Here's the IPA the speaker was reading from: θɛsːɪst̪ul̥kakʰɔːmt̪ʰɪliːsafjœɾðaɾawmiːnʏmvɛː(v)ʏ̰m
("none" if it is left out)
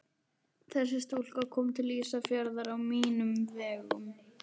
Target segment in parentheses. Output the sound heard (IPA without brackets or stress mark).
ɣ